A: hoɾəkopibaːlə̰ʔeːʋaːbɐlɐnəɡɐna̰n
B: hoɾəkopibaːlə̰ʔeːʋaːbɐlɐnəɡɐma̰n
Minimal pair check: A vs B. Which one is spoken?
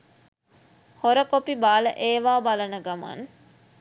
B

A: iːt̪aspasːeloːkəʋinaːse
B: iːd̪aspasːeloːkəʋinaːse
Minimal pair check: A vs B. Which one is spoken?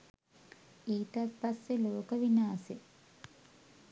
A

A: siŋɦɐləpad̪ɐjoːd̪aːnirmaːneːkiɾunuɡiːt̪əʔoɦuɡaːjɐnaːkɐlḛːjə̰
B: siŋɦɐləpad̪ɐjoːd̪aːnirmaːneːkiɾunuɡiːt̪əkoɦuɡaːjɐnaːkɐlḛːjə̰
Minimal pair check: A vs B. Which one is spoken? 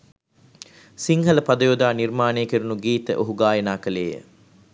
A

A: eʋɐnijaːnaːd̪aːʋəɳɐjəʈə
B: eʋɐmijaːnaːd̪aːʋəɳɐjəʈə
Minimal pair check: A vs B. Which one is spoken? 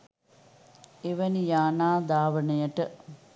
A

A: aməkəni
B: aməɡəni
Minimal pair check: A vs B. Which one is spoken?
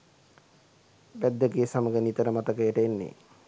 B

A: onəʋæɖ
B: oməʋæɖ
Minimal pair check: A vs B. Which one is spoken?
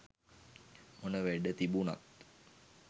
A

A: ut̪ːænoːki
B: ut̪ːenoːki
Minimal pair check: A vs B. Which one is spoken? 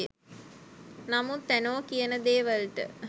A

